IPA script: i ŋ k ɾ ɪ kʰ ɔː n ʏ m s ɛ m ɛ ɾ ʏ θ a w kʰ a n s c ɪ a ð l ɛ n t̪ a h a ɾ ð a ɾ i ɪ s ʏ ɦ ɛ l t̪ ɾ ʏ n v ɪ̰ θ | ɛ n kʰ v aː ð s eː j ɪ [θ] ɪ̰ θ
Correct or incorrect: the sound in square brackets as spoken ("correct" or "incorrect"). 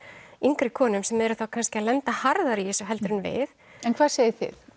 correct